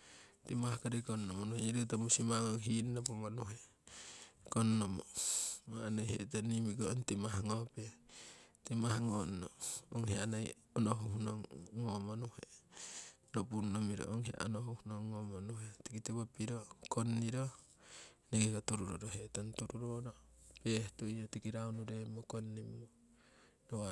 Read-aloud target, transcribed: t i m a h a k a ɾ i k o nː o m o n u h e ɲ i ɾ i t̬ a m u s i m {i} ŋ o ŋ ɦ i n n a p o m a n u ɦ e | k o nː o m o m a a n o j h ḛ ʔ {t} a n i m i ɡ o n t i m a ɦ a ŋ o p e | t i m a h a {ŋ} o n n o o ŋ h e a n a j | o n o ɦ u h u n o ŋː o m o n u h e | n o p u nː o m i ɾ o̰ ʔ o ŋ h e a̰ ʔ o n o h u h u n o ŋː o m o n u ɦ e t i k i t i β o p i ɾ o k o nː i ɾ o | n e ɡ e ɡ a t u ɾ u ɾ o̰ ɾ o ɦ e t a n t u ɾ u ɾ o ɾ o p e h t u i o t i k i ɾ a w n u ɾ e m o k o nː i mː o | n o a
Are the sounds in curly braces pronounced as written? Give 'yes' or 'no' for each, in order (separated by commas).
no, yes, yes